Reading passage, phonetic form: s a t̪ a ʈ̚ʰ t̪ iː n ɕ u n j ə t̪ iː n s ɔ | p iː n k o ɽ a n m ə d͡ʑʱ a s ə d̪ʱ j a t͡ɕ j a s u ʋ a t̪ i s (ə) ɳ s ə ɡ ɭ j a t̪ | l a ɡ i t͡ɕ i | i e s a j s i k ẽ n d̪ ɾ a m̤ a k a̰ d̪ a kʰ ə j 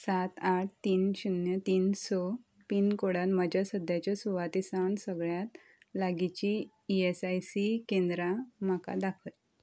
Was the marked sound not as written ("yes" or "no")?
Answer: yes